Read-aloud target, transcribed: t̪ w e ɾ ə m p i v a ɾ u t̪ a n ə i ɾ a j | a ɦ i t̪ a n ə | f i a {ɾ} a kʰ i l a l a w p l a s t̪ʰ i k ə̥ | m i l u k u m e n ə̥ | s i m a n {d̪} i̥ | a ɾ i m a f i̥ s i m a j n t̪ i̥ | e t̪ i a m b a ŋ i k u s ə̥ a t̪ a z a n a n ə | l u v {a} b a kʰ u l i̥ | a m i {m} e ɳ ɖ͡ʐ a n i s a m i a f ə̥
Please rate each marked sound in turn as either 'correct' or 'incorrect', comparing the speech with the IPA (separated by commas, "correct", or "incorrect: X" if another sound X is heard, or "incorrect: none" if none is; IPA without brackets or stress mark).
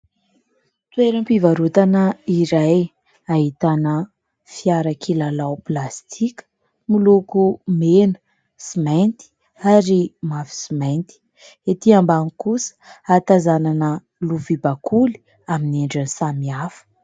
correct, incorrect: t̪, incorrect: i, incorrect: n